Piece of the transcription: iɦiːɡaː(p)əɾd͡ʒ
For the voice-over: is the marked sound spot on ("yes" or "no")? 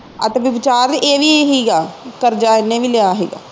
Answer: no